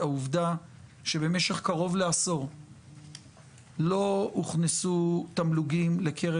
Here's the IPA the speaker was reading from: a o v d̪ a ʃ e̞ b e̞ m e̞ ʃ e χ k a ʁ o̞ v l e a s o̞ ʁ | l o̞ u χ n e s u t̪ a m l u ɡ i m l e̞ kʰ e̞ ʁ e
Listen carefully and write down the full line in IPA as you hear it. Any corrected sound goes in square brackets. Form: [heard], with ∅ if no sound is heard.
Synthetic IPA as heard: a [u] v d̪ a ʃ e̞ b e̞ m e̞ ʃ e χ k a ʁ o̞ v l e a s o̞ ʁ | l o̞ u χ n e s u t̪ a m l u ɡ i m l e̞ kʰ e̞ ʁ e